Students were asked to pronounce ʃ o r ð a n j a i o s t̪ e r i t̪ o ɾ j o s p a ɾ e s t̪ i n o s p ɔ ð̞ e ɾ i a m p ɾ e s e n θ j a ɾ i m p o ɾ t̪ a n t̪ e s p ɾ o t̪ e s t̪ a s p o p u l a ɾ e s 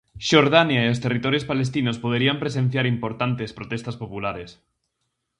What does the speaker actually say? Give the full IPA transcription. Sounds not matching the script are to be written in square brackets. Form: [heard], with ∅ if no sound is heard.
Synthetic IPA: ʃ o [ɾ] ð a n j a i o s t̪ e r i t̪ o ɾ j o s p a [l] e s t̪ i n o s p [o] ð̞ e ɾ i a m p ɾ e s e n θ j a ɾ i m p o ɾ t̪ a n t̪ e s p ɾ o t̪ e s t̪ a s p o p u l a ɾ e s

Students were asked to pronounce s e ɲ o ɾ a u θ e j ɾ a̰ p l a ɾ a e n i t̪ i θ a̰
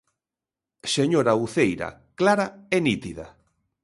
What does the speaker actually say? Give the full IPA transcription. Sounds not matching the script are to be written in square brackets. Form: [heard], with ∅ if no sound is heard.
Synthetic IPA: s e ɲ o ɾ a u θ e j ɾ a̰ [k] l a ɾ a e n i t̪ i [ð] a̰

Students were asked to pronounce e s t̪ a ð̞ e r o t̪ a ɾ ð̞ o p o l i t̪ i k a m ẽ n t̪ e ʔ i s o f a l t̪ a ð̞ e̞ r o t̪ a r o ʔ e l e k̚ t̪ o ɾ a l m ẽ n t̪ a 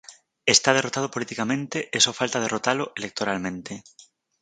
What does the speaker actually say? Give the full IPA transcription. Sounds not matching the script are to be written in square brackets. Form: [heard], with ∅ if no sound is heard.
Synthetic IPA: e s t̪ a ð̞ e r o t̪ a [∅] ð̞ o p o l i t̪ i k a m ẽ n t̪ e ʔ [e] s o f a l t̪ a ð̞ e̞ r o t̪ a [l] o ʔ e l e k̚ t̪ o ɾ a l m ẽ n t̪ [e]

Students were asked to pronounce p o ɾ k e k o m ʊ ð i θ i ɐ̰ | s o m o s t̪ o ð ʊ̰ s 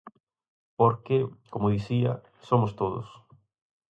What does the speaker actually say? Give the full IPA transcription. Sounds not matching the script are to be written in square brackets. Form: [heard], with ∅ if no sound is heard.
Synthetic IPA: p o ɾ k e k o m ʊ ð i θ i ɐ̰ | s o m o s t̪ o ð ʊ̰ s

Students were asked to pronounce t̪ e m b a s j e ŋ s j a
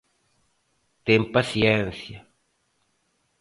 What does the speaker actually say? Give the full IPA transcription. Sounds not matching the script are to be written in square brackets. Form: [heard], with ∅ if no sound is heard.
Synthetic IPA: t̪ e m [p] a s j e [n] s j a

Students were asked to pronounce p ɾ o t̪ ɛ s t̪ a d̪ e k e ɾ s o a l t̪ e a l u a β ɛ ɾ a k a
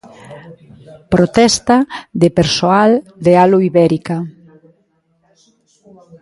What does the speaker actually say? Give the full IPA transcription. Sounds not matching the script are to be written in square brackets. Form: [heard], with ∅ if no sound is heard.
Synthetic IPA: p ɾ o t̪ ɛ s t̪ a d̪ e [p] e ɾ s o a l [d̪] e a l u [i] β ɛ ɾ [i] k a

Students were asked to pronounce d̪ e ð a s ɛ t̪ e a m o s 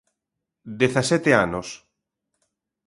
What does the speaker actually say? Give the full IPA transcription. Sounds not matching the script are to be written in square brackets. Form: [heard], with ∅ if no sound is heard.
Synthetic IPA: d̪ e [θ] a s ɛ t̪ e a [n] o s

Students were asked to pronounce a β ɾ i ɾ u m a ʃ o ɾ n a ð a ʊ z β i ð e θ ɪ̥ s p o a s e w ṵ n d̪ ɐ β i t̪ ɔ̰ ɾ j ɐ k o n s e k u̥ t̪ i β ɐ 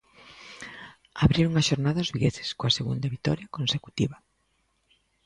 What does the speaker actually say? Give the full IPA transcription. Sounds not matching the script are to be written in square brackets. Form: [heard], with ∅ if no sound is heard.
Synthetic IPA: a β ɾ i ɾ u [ŋ] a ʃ o ɾ n a ð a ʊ z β i [ɣ] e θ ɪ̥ s [k] o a s e [ɣ] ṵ n d̪ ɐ β i t̪ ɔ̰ ɾ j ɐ k o n s e k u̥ t̪ i β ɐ

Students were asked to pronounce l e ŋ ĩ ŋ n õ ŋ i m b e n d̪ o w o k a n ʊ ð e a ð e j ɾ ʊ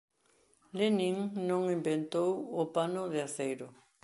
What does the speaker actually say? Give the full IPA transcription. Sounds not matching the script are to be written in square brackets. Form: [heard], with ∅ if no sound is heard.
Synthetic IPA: l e [n] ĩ ŋ n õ ŋ i m b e n [t̪] o w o [p] a n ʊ ð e a [θ] e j ɾ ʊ

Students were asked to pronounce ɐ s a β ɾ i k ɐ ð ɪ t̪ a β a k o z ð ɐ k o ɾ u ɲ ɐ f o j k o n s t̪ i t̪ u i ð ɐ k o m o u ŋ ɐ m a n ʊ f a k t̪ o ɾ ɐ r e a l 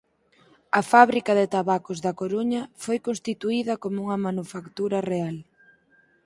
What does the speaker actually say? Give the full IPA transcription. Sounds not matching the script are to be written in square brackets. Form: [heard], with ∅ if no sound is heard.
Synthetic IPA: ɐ [f] a β ɾ i k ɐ ð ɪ t̪ a β a k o z ð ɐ k o ɾ u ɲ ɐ f o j k o n s t̪ i t̪ u i ð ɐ k o m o u ŋ ɐ m a n [u] f a k t̪ [u] ɾ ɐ r e a l

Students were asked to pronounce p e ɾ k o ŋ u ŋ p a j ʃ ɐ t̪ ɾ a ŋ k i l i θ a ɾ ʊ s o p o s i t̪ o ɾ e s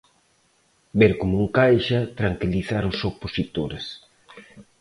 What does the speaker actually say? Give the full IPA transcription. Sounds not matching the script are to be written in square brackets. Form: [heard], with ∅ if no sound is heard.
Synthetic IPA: [b] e ɾ k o [m] u ŋ [k] a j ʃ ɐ t̪ ɾ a ŋ k i l i θ a ɾ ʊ s o p o s i t̪ o ɾ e s

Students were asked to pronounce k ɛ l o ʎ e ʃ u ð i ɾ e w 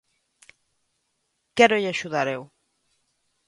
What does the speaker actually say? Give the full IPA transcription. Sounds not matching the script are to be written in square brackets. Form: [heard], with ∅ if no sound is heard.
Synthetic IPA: k ɛ [ɾ] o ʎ [a] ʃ u ð [a] ɾ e w

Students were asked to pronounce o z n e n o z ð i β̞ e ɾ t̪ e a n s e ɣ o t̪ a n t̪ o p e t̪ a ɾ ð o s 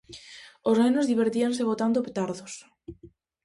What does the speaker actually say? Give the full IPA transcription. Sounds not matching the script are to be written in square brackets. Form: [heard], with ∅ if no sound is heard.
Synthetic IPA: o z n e n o z ð i β̞ e ɾ t̪ [i] a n s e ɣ o t̪ a n [d̪] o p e t̪ a ɾ ð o s

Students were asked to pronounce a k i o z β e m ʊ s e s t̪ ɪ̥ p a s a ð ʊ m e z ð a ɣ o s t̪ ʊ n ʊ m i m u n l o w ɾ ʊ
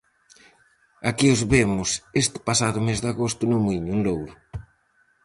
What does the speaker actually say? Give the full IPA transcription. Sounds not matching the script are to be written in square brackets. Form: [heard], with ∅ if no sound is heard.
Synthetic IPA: a k i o z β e m ʊ s e s t̪ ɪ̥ p a s a ð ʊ m e z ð a ɣ o s t̪ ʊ n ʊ m i [ɲ] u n l o w ɾ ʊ

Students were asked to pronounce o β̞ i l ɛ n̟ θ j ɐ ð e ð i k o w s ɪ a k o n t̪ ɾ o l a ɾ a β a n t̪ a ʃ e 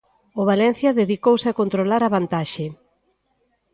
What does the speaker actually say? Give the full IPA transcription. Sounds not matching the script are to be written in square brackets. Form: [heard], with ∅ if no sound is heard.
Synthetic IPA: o β̞ [a] l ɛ n̟ θ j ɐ ð e ð i k o w s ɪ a k o n t̪ ɾ o l a ɾ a β a n t̪ a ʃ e

